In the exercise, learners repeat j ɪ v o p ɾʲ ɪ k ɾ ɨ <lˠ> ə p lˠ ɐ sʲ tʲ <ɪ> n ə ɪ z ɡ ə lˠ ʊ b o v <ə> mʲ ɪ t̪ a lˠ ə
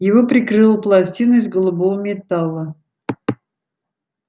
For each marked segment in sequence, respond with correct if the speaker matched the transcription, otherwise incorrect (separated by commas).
correct, incorrect, correct